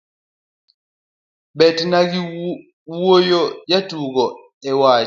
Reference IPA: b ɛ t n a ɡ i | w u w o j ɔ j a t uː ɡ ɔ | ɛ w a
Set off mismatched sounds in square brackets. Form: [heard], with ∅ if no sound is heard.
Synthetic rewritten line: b ɛ t n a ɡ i | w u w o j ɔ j a t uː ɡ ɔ | ɛ w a

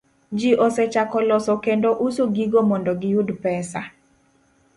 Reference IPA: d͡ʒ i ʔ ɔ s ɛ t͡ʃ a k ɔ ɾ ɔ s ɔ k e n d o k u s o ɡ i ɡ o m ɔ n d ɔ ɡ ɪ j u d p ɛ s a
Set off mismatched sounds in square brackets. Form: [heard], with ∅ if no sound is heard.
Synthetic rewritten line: d͡ʒ i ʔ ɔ s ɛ t͡ʃ a k ɔ [l] ɔ s ɔ k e n d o [ʔ] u s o ɡ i ɡ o m ɔ n d ɔ ɡ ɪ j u d p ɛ s a

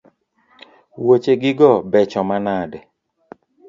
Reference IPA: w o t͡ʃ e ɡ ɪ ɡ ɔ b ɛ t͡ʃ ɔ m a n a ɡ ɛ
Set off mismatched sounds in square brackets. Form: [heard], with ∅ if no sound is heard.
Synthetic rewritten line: w o t͡ʃ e ɡ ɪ ɡ ɔ b ɛ t͡ʃ ɔ m a n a [d] ɛ

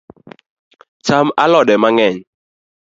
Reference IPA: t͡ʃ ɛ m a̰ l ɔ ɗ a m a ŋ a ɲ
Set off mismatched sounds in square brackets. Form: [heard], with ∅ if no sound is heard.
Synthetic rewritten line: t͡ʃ [a] m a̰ l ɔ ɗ [ɛ] m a ŋ [ɛ] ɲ

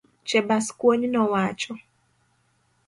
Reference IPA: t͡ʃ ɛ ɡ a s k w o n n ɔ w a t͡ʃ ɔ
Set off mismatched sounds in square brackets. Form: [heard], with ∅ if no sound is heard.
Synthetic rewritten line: t͡ʃ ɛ [b] a s k w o [ɲ] n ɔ w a t͡ʃ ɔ

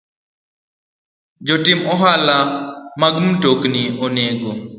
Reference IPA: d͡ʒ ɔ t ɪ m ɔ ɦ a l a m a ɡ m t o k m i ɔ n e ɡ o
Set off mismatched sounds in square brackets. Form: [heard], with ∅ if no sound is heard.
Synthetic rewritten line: d͡ʒ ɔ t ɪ m ɔ ɦ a l a m a ɡ m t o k [n] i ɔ n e ɡ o

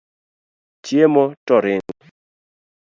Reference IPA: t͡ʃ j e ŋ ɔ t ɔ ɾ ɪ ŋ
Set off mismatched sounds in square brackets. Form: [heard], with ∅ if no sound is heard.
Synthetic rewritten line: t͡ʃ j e [m] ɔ t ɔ ɾ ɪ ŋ

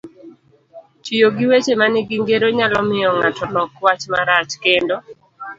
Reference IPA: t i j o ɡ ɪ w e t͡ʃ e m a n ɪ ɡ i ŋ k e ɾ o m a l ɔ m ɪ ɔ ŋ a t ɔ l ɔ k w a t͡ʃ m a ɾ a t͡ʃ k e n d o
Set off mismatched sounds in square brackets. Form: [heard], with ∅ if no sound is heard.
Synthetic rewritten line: [t͡ʃ] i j o ɡ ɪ w e t͡ʃ e m a n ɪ ɡ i ŋ [ɡ] e ɾ o [ɲ] a l ɔ m ɪ ɔ ŋ a t ɔ l ɔ k w a t͡ʃ m a ɾ a t͡ʃ k e n d o

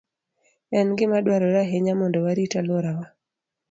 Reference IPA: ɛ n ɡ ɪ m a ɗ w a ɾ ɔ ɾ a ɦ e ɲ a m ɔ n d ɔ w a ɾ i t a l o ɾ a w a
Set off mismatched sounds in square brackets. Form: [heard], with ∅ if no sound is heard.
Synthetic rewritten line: ɛ n ɡ ɪ m a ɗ w a ɾ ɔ ɾ a ɦ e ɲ a m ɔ n d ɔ w a ɾ i t a l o ɾ a w a

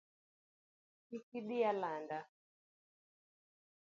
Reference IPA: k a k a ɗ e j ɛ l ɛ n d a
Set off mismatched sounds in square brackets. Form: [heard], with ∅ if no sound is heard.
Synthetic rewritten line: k [i] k [i] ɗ [i] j [a] l [a] n d a

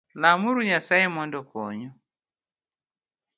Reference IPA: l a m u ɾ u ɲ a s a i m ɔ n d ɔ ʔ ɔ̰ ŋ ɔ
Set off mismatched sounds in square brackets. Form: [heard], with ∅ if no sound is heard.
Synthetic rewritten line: l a m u ɾ u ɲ a s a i m ɔ n d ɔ [k] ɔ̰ [ɲ] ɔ

